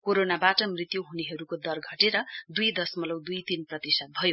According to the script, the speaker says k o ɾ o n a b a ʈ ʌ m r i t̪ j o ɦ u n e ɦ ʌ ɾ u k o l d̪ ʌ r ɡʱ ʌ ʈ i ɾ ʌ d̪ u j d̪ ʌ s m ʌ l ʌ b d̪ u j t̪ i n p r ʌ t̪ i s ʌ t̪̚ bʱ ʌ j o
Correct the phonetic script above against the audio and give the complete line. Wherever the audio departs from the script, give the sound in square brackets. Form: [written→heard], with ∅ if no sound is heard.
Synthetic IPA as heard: k o ɾ o n a b a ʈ ʌ m r i t̪ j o ɦ u n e ɦ ʌ ɾ u k o [l→∅] d̪ ʌ r ɡʱ ʌ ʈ [i→e] ɾ ʌ d̪ u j d̪ ʌ s m ʌ l ʌ [b→w] d̪ u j t̪ i n p r ʌ t̪ i s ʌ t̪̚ bʱ ʌ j o